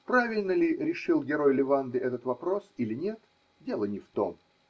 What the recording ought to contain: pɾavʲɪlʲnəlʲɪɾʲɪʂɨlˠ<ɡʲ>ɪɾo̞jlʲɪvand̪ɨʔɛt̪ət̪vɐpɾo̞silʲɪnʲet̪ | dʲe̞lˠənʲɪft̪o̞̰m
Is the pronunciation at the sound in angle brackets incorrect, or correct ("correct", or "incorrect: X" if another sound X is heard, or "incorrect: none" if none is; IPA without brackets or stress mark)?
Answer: correct